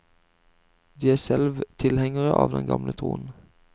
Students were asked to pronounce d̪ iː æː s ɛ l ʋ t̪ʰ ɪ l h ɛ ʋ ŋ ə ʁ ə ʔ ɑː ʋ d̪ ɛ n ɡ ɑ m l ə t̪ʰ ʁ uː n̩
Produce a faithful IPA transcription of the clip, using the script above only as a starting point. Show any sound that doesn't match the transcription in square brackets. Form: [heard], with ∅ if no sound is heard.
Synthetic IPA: d̪ iː æː s ɛ l ʋ t̪ʰ ɪ l h ɛ [∅] ŋ ə ʁ ə ʔ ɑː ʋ d̪ ɛ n ɡ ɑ m l ə t̪ʰ ʁ uː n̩